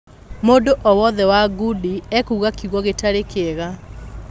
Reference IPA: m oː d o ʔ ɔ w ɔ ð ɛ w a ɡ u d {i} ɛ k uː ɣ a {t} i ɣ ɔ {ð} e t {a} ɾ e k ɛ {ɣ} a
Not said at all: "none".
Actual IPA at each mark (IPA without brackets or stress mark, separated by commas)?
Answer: i, k, ɣ, a, ɣ